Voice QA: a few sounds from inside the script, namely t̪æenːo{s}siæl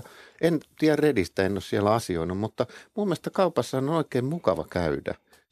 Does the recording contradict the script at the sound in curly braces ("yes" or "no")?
no